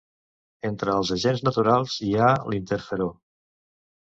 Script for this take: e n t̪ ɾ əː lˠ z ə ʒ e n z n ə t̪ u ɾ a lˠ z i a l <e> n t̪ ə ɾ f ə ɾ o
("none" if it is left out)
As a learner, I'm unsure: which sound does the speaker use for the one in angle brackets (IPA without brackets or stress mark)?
i